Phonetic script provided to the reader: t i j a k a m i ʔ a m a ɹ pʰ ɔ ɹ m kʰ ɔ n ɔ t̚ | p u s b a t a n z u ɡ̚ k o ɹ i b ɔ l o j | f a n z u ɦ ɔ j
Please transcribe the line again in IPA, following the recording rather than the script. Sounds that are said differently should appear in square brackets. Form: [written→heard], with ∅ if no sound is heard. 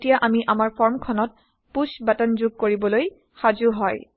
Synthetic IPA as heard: t i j a [k→ʔ] a m i ʔ a m a ɹ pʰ ɔ ɹ m kʰ ɔ n ɔ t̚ | p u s b a t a n z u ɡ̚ k o ɹ i b ɔ l o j | [f→x] a [n→∅] z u ɦ ɔ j